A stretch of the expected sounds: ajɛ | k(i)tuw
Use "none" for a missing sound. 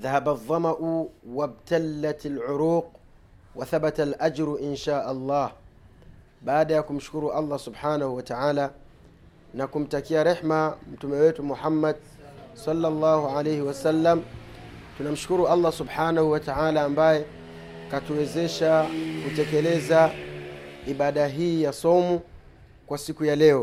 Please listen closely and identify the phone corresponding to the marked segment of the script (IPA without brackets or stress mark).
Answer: a